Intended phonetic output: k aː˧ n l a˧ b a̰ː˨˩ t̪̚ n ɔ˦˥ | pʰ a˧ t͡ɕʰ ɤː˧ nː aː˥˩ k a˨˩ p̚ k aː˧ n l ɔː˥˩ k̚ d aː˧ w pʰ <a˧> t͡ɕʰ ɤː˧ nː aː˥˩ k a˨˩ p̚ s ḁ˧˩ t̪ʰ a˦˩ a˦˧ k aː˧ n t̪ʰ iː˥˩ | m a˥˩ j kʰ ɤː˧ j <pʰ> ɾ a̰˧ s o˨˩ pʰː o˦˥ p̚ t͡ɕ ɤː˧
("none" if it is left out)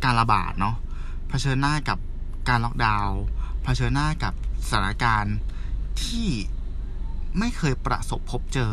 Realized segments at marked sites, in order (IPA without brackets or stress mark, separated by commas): a˧, p